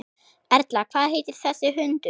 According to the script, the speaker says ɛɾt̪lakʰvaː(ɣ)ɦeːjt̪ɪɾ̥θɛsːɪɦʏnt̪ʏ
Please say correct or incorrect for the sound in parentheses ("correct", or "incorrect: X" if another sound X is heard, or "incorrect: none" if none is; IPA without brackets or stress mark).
incorrect: ð